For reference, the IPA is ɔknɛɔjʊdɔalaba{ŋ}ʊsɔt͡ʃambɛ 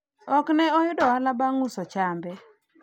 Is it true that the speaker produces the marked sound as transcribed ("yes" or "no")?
yes